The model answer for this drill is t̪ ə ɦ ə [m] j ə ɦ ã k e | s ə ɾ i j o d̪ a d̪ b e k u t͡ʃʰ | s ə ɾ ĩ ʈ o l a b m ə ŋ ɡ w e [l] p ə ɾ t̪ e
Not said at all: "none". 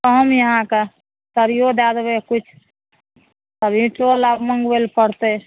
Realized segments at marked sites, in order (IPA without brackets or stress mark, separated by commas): m, l